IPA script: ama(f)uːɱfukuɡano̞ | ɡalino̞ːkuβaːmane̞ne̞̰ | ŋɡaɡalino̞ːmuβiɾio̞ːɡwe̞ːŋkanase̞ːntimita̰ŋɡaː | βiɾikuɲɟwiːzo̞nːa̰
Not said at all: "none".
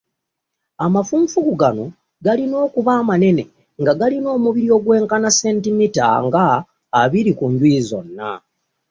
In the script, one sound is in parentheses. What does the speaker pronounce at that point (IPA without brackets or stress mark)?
f